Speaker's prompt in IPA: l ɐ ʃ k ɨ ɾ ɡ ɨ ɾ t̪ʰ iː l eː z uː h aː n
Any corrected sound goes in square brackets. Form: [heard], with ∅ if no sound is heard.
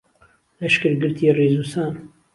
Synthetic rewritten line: l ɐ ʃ k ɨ ɾ ɡ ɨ ɾ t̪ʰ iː [r] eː z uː [s] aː n